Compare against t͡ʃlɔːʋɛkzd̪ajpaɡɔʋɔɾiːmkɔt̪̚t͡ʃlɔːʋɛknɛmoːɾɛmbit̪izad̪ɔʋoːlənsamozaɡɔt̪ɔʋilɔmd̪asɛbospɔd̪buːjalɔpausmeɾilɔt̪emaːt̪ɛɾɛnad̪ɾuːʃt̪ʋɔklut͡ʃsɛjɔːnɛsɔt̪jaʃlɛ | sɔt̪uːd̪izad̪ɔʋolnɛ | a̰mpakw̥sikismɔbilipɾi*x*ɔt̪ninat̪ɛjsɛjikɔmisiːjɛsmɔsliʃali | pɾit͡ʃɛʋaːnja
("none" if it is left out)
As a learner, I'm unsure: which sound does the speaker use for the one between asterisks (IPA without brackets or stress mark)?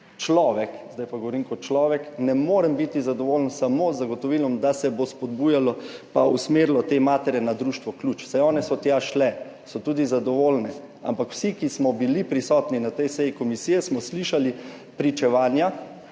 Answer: s